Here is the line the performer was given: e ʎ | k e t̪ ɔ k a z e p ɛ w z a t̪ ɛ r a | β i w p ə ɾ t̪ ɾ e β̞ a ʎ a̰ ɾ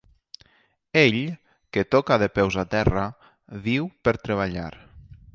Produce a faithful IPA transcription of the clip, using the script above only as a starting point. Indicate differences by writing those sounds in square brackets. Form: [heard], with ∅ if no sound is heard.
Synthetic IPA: e ʎ | k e t̪ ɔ k a [ð] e p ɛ w z a t̪ ɛ r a | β i w p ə ɾ t̪ ɾ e β̞ a ʎ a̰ ɾ